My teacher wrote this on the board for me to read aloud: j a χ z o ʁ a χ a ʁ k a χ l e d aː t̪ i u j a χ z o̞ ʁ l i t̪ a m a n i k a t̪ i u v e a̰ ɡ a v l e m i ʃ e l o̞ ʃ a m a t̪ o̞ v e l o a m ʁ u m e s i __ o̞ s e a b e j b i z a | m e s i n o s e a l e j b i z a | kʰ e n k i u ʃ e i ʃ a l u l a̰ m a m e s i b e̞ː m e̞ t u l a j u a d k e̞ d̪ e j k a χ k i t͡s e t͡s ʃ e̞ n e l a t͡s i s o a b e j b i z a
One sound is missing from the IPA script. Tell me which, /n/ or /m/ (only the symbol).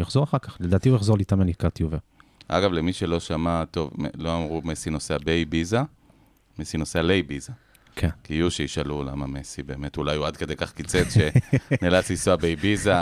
n